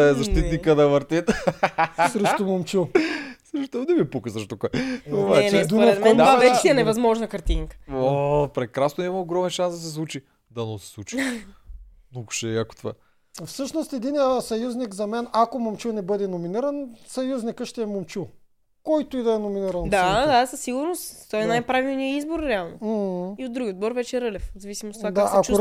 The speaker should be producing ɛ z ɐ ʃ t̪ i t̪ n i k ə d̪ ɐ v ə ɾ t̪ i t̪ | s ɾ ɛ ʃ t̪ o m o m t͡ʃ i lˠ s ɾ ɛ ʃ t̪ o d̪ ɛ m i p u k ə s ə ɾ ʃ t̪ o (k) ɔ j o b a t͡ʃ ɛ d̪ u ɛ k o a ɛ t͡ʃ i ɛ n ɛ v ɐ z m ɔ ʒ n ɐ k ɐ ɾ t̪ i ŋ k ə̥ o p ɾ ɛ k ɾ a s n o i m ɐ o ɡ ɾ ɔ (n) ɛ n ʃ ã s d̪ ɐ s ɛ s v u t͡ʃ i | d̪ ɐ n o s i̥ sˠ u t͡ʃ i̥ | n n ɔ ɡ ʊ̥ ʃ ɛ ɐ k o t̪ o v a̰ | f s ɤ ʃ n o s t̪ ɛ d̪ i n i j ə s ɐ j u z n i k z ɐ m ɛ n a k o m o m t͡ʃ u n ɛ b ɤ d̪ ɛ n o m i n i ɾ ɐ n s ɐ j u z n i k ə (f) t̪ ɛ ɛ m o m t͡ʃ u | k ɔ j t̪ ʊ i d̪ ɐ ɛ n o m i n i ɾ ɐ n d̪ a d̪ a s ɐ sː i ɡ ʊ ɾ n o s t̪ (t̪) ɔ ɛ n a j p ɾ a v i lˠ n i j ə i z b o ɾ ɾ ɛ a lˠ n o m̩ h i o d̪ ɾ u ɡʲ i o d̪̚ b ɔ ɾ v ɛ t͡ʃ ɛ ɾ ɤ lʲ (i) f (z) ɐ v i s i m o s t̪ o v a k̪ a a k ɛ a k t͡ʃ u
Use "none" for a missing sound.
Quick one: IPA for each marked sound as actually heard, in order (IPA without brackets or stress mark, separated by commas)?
k, m, ʃ, t̪, ɛ, z